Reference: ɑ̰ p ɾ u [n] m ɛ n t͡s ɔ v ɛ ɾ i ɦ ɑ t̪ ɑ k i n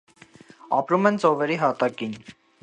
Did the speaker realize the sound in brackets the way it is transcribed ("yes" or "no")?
no